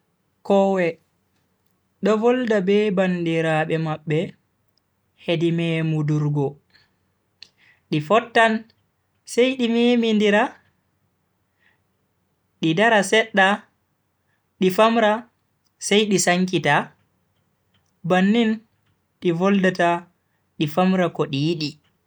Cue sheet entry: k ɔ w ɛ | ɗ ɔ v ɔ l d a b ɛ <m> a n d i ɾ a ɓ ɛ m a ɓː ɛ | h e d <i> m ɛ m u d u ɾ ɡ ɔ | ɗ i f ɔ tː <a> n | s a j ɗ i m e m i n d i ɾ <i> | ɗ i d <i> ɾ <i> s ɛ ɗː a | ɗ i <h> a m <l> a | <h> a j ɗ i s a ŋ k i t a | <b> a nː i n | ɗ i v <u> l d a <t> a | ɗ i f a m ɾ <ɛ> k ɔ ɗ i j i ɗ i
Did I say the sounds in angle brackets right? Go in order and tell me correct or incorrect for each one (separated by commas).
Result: incorrect, correct, correct, incorrect, incorrect, incorrect, incorrect, incorrect, incorrect, correct, incorrect, correct, incorrect